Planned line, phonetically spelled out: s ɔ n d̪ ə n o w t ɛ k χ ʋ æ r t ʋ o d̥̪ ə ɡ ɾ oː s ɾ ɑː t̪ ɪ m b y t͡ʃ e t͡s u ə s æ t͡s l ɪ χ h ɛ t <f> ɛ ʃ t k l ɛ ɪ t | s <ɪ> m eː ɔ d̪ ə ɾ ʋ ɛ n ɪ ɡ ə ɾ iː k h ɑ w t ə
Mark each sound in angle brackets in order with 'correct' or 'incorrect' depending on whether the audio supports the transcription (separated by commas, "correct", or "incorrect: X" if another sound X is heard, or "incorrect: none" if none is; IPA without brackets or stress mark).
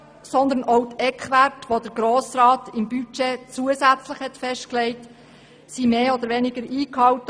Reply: correct, incorrect: i